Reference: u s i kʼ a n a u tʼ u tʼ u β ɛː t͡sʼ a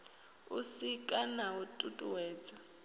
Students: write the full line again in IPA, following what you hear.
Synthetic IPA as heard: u s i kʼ a n a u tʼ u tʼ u w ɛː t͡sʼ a